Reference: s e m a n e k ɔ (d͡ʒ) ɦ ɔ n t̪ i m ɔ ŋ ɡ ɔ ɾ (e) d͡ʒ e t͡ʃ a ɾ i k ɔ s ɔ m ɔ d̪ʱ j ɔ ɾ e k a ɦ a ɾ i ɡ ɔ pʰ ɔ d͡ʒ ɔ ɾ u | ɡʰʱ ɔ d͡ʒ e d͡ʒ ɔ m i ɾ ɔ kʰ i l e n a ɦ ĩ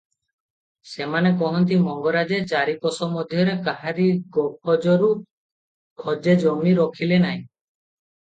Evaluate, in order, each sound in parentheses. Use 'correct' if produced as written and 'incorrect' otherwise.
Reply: incorrect: none, incorrect: a

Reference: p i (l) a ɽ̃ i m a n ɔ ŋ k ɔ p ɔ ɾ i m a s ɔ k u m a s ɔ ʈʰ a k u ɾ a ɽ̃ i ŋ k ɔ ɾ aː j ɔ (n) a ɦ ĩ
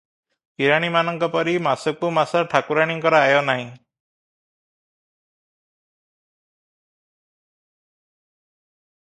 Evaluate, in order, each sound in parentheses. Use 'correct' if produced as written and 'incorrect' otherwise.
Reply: incorrect: ɾ, correct

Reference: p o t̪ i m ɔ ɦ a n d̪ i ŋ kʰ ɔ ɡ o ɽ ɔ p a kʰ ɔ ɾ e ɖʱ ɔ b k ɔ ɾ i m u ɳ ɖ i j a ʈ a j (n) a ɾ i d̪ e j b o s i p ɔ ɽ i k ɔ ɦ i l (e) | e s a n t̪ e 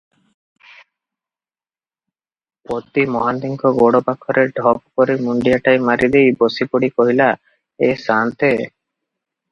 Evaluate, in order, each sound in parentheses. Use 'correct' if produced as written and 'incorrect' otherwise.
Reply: incorrect: m, incorrect: a

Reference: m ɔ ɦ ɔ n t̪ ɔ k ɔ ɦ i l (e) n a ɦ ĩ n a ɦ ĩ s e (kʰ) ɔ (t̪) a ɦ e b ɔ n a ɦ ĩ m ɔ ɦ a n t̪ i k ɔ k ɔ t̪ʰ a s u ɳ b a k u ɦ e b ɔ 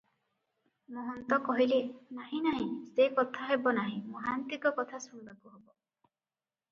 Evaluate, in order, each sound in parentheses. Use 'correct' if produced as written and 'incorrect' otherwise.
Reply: correct, incorrect: k, incorrect: t̪ʰ

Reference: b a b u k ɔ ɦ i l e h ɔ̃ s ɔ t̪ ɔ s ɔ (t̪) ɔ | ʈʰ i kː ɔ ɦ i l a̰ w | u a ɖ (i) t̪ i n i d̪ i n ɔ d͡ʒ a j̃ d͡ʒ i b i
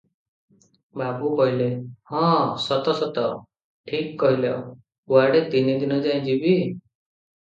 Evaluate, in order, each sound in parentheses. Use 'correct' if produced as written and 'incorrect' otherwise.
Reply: correct, incorrect: e

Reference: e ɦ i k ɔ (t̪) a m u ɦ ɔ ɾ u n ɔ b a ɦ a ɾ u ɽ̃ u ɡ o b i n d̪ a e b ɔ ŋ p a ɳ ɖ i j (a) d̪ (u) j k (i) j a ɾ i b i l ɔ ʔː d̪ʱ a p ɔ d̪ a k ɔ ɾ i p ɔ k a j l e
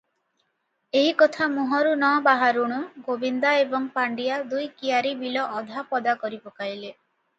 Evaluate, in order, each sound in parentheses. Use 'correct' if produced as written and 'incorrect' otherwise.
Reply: incorrect: t̪ʰ, correct, correct, correct

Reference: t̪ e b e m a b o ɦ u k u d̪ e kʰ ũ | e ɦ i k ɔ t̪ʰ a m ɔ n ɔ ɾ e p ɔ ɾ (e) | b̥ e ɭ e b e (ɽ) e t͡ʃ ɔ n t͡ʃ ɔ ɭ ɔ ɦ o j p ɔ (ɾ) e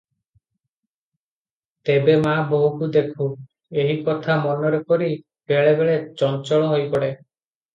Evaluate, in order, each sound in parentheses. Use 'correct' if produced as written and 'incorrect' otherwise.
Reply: incorrect: i, incorrect: ɭ, incorrect: ɽ

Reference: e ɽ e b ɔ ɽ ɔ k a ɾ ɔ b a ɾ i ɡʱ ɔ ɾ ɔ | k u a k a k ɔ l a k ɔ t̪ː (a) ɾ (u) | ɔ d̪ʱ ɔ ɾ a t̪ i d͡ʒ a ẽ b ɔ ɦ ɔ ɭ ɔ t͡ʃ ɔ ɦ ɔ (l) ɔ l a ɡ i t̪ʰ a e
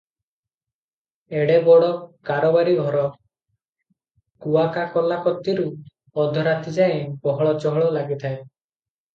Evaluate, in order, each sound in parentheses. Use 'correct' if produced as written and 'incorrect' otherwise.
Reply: incorrect: i, correct, incorrect: ɭ

